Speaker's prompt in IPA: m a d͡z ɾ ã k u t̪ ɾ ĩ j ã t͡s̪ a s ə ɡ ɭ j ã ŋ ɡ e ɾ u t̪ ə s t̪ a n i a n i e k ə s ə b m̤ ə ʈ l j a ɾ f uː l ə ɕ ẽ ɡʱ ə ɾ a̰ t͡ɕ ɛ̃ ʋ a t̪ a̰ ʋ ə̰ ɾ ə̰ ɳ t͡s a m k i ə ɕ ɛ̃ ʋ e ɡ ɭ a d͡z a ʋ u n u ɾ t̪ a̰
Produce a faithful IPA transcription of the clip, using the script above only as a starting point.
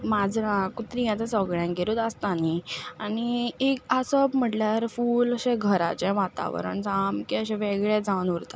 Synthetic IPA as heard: m a d͡z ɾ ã k u t̪ ɾ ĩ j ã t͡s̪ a s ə ɡ ɭ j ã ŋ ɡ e ɾ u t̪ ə s t̪ a n i a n i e k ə s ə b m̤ ə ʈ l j a ɾ f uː l ə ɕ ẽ ɡʱ ə ɾ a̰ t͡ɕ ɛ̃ ʋ a t̪ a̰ ʋ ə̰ ɾ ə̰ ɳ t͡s a m k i ə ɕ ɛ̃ ʋ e ɡ ɭ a d͡z a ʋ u n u ɾ t̪ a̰